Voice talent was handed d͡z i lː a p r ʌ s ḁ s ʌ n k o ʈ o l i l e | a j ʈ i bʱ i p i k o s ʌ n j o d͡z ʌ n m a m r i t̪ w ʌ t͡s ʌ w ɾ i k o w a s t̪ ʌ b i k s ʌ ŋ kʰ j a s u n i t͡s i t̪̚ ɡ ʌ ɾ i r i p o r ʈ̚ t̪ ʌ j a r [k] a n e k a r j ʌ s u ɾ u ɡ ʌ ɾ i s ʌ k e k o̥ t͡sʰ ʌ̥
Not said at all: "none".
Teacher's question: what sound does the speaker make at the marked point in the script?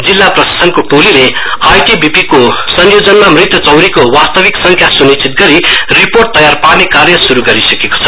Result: p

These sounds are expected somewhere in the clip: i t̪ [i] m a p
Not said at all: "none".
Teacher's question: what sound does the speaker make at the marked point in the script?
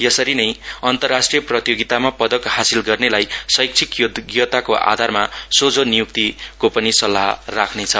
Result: a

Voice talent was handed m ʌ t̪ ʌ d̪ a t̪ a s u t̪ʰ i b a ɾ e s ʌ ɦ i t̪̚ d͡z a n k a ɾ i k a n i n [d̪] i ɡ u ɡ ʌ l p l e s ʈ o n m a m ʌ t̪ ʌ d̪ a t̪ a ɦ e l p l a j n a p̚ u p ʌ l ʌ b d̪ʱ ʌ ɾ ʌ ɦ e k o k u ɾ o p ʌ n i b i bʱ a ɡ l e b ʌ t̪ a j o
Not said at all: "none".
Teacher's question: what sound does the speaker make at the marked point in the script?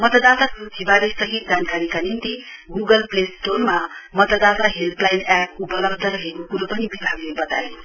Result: t̪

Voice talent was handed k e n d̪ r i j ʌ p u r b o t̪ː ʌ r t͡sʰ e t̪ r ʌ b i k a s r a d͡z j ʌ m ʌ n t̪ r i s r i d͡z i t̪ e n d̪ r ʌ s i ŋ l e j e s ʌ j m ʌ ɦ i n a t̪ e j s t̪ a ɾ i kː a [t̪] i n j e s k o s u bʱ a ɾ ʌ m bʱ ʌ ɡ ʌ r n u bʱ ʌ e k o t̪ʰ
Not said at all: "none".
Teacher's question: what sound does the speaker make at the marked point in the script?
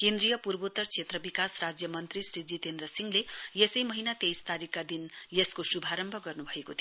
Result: d̪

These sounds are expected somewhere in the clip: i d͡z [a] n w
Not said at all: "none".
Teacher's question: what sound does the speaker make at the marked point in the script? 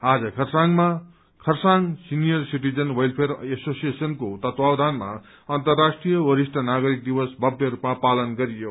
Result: ʌ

